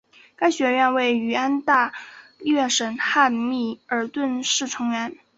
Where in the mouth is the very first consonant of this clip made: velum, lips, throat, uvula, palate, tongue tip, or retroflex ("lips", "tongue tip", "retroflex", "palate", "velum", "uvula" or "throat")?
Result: velum